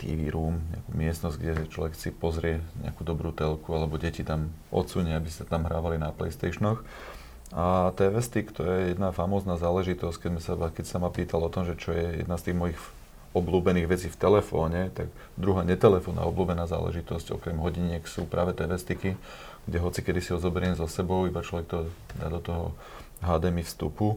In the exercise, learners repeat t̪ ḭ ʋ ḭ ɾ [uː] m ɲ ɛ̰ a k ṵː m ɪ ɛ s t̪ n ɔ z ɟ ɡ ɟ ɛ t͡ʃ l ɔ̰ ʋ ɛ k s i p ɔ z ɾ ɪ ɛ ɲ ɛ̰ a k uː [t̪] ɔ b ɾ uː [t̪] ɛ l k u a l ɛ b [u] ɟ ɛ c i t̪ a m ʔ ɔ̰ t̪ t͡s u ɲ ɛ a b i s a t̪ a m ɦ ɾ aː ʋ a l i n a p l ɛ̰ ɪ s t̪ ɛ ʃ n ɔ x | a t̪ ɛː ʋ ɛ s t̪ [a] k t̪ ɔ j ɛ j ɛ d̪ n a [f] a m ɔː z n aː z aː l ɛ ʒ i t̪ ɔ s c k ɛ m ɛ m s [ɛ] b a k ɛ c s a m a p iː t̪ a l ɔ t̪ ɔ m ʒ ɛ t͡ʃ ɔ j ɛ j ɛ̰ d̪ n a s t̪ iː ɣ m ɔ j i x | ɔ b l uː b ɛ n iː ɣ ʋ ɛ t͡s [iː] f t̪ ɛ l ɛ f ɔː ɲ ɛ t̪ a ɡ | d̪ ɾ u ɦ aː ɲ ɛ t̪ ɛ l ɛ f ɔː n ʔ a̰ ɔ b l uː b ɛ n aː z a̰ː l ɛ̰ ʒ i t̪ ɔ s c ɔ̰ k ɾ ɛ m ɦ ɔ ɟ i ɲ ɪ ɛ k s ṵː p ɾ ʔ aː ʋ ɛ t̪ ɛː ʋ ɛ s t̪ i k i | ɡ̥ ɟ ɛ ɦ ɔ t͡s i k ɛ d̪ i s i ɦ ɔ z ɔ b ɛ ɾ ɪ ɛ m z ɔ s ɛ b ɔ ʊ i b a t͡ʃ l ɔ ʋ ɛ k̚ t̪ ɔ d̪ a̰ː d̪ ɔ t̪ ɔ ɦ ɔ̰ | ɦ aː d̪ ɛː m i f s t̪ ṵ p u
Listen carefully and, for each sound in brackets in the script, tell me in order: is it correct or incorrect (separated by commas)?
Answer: correct, incorrect, correct, incorrect, incorrect, correct, incorrect, correct